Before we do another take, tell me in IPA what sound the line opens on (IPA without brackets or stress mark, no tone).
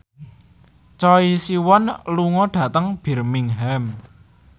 t͡ʃ